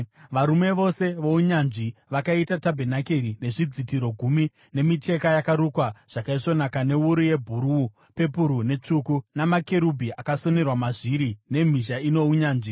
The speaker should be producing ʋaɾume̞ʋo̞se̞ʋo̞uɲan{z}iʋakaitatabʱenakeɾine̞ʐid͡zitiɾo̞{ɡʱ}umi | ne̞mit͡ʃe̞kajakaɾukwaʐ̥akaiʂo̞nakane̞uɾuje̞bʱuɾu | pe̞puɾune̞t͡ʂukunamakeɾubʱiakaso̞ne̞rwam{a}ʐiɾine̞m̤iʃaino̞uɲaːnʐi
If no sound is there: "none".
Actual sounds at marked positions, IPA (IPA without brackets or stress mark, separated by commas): ʐ, ɡʱ, a